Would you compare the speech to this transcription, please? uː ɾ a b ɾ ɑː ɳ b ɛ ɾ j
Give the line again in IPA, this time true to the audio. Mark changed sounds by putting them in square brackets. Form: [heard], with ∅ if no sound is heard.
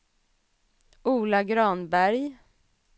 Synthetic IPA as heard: uː [l] a [ɡ] ɾ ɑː [n] b [æ] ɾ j